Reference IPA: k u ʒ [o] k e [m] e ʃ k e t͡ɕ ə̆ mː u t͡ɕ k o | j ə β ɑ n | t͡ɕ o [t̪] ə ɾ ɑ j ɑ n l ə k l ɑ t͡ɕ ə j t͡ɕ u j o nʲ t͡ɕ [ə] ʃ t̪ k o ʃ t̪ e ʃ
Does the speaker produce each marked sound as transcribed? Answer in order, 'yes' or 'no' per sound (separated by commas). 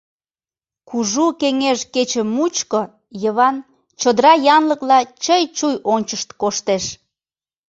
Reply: no, no, no, yes